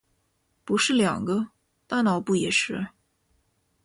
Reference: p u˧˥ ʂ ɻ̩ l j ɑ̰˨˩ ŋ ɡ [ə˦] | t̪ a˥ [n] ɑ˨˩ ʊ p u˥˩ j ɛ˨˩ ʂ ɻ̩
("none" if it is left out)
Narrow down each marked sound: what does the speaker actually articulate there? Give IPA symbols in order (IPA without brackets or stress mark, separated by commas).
ə˦, n